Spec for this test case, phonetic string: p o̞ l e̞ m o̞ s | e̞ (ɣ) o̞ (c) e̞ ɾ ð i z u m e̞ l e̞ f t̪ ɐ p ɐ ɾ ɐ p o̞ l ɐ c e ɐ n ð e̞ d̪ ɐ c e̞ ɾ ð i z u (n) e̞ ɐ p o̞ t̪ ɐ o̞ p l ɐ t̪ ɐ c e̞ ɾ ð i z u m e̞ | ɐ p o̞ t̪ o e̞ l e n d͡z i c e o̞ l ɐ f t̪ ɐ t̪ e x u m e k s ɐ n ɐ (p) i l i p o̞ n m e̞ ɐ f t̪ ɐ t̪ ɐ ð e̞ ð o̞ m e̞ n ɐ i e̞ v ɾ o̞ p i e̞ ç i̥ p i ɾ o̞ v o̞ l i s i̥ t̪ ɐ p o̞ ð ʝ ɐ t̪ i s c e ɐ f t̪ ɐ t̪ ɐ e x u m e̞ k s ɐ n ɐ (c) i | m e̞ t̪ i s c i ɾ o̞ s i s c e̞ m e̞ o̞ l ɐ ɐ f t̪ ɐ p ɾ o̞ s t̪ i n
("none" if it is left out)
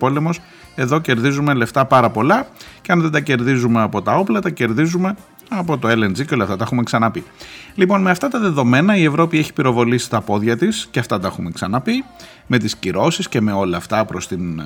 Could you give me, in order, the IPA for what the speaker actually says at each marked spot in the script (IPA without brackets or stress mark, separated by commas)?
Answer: ð, c, m, p, p